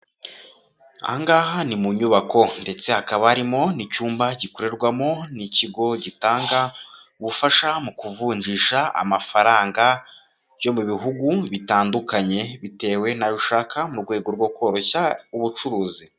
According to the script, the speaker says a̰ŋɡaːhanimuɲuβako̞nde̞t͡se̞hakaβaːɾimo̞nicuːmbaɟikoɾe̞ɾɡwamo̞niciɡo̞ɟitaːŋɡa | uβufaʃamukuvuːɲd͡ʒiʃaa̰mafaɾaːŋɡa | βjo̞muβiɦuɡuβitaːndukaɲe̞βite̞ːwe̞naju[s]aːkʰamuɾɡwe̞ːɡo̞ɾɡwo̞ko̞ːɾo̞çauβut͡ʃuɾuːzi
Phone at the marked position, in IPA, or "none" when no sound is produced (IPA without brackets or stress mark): ʃ